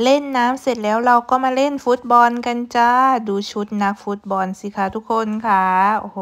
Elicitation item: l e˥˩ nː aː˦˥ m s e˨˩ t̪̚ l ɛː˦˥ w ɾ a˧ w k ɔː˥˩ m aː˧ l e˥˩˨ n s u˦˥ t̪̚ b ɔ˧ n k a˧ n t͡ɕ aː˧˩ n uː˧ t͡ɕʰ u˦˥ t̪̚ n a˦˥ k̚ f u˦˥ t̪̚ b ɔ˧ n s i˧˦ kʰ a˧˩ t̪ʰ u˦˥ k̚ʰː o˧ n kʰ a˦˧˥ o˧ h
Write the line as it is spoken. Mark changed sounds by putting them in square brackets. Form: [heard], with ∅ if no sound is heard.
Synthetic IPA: l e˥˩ nː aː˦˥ m s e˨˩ t̪̚ l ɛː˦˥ w ɾ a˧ w k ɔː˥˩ m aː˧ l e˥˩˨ n [f] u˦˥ t̪̚ b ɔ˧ n k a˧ n t͡ɕ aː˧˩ [d] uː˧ t͡ɕʰ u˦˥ t̪̚ n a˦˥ k̚ f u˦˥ t̪̚ b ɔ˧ n s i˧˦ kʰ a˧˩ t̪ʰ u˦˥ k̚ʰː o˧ n kʰ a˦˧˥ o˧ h